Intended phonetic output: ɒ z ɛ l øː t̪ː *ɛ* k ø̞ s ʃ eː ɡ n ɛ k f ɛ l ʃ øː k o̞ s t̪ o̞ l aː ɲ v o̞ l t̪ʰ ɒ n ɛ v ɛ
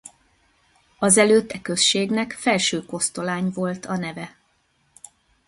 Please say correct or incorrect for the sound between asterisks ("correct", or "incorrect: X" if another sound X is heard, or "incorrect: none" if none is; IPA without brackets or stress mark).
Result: correct